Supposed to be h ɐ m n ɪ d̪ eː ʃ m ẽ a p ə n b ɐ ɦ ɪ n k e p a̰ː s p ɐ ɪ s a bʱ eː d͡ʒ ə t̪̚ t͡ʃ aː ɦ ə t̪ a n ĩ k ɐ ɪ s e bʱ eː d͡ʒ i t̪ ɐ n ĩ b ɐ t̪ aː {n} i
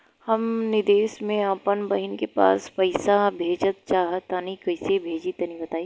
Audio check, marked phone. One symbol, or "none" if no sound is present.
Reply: none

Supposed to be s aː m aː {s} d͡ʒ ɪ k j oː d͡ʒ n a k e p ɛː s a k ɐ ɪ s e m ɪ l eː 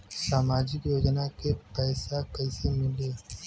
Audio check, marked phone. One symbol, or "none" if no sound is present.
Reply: none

